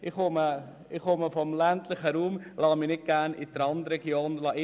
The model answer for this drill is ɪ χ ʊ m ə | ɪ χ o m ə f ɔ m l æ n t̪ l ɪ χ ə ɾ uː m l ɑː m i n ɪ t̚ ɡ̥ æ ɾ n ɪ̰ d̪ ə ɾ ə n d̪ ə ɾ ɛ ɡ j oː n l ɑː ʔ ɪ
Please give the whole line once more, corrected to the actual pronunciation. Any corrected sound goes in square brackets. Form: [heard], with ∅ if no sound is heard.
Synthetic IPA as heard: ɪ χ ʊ m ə | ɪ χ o m ə f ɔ m l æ n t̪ l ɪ χ ə ɾ uː m l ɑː m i n ɪ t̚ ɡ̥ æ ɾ n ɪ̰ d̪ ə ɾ [ɑ] n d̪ ə ɾ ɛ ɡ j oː n l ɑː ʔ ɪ